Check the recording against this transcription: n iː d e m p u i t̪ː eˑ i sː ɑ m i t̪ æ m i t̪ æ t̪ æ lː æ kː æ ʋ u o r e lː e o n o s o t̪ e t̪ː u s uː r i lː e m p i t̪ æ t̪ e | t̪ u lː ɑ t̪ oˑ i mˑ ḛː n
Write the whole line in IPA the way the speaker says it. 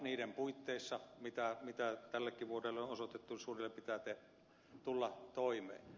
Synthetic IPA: n iː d e m p u i t̪ː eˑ i sː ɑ m i t̪ æ m i t̪ æ t̪ æ lː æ kː i ʋ u o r e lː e o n o s o t̪ e t̪ː u s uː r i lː e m p i t̪ æ t̪ e | t̪ u lː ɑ t̪ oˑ i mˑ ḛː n